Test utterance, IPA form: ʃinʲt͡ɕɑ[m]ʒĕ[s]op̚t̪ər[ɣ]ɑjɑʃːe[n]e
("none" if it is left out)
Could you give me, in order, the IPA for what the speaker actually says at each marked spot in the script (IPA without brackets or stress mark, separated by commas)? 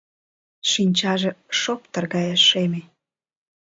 none, ʃ, ɣ, m